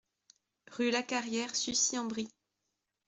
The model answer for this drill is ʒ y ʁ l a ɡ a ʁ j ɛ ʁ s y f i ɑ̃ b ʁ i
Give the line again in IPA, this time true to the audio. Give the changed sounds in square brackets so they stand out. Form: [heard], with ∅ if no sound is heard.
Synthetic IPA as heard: [ʁ] y [∅] l a [k] a ʁ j ɛ ʁ s y [s] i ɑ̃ b ʁ i